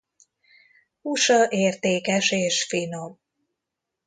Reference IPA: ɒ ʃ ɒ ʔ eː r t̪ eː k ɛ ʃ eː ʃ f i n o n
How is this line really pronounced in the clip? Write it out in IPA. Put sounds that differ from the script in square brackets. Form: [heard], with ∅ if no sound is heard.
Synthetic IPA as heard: [u] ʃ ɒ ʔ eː r t̪ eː k ɛ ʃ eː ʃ f i n o [m]

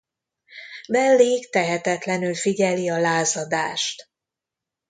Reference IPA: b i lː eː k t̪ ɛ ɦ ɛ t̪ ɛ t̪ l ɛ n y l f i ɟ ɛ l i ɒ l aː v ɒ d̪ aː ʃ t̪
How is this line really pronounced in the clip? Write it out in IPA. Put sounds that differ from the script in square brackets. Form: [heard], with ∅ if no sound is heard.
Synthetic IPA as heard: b [ɛ] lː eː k t̪ ɛ ɦ ɛ t̪ ɛ t̪ l ɛ n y l f i ɟ ɛ l i ɒ l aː [z] ɒ d̪ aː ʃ t̪

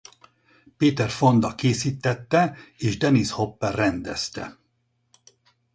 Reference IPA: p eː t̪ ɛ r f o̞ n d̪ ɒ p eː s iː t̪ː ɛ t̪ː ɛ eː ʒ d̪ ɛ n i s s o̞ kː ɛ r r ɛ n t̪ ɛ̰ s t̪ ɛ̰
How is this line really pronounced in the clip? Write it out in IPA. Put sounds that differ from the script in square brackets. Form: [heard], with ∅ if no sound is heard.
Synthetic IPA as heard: p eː t̪ ɛ r f o̞ n d̪ ɒ [k] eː s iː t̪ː ɛ t̪ː ɛ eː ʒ d̪ ɛ n i s [h] o̞ [pː] ɛ r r ɛ n [d̪] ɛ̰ s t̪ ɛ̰

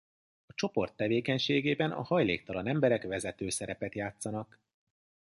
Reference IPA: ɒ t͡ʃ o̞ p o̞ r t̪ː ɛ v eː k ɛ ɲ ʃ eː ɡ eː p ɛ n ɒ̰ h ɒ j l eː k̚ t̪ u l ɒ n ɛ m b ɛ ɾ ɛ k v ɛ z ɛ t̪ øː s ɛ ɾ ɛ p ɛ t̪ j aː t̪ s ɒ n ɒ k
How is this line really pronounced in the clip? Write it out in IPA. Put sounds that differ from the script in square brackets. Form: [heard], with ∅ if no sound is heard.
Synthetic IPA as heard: ɒ t͡ʃ o̞ p o̞ r t̪ː ɛ v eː k ɛ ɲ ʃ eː ɡ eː [b] ɛ n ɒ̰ h ɒ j l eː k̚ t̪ [ɒ] l ɒ n ɛ m b ɛ ɾ ɛ k v ɛ z ɛ t̪ øː s ɛ ɾ ɛ p ɛ t̪ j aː t̪ s ɒ n ɒ k

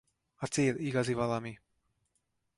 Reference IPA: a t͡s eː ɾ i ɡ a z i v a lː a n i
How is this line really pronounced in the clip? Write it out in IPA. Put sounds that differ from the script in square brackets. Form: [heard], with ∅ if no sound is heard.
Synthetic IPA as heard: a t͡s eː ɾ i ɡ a z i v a [l] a [m] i

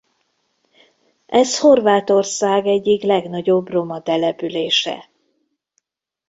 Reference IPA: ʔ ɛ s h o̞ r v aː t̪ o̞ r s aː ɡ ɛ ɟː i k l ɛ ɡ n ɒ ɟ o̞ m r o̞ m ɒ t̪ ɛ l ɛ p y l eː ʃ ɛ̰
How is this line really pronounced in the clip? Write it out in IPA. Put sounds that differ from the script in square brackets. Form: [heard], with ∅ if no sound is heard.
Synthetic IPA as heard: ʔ ɛ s h o̞ r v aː t̪ o̞ r s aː ɡ ɛ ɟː i k l ɛ ɡ n ɒ ɟ o̞ [b] r o̞ m ɒ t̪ ɛ l ɛ p y l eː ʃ ɛ̰

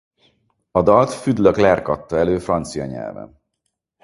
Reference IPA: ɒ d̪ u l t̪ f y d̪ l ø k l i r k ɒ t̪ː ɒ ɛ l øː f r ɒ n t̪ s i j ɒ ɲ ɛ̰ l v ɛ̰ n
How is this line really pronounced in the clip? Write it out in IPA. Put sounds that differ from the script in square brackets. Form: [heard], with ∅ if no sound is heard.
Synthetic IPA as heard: ɒ d̪ [ɒ] l t̪ f y d̪ l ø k l [ɛ] r k ɒ t̪ː ɒ ɛ l øː f r ɒ n t̪ s i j ɒ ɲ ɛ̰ l v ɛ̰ n

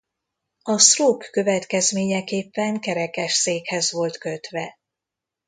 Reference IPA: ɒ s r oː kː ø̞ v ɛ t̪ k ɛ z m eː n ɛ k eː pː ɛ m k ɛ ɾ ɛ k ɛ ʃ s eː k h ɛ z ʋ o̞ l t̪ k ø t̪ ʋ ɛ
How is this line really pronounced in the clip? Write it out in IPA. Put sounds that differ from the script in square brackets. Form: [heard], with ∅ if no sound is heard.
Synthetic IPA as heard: ɒ s r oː kː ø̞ v ɛ t̪ k ɛ z m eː [ɲ] ɛ k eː pː ɛ [ŋ] k ɛ ɾ ɛ k ɛ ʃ s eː k h ɛ z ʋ o̞ l t̪ k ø t̪ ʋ ɛ

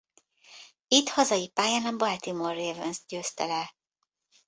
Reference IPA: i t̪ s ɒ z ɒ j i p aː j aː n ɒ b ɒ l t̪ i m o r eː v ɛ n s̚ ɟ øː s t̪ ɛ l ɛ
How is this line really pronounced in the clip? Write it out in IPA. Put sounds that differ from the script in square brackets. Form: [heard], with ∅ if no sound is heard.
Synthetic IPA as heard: i t̪ [h] ɒ z ɒ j i p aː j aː n ɒ b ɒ l t̪ i m o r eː v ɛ n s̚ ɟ øː s t̪ ɛ l ɛ

